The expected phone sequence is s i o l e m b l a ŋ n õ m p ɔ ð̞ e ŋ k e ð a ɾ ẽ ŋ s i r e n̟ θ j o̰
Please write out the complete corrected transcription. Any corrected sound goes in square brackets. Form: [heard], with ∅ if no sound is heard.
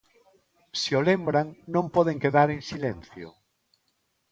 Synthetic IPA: s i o l e m b [ɾ] a ŋ n õ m p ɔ ð̞ e ŋ k e ð a ɾ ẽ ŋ s i [l] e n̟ θ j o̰

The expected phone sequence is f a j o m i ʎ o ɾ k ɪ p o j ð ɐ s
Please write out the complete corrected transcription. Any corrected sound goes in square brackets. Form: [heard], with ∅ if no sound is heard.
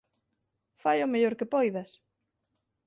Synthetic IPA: f a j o m [e] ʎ o ɾ k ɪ p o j ð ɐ s

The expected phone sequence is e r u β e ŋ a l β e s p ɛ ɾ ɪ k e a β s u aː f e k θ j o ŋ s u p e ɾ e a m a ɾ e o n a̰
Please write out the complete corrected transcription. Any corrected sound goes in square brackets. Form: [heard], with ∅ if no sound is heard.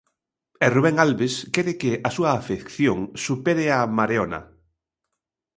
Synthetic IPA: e r u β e ŋ a l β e s [k] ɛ ɾ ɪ k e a [∅] s u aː f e k θ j o ŋ s u p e ɾ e a m a ɾ e o n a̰

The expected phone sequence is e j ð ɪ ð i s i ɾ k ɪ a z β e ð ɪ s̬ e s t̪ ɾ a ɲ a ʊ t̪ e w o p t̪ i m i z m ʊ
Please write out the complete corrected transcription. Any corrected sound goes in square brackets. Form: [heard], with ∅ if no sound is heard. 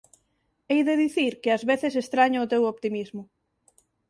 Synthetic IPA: e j ð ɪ ð i [θ] i ɾ k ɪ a z β e [θ] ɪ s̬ e s t̪ ɾ a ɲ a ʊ t̪ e w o p t̪ i m i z m ʊ

